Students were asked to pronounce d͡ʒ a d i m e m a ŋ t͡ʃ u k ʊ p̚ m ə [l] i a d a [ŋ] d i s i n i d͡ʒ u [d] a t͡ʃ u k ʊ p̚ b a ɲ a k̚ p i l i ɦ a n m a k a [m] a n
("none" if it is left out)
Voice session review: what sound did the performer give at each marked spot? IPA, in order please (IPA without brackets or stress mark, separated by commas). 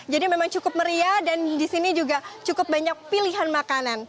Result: ɾ, n, ɡ, n